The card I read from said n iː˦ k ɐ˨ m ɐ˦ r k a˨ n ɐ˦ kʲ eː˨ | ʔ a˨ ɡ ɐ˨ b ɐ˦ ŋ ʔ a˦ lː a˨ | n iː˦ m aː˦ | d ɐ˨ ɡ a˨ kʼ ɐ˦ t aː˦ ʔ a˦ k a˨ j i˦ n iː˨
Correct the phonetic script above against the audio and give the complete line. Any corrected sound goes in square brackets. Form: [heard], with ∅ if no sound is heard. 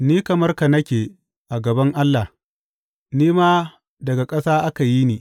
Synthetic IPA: n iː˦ k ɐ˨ m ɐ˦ r k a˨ n ɐ˦ kʲ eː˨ | ʔ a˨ ɡ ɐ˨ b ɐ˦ ŋ ʔ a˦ lː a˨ | n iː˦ m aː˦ | d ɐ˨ ɡ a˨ kʼ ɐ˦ [s] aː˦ ʔ a˦ k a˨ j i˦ n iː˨